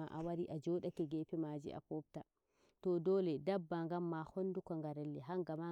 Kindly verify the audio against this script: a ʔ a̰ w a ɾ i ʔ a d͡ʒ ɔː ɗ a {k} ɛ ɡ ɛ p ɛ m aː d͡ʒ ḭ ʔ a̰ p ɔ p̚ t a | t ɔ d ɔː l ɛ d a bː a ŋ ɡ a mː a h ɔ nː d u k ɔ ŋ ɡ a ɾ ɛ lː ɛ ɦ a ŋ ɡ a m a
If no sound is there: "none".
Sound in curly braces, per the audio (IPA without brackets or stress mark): k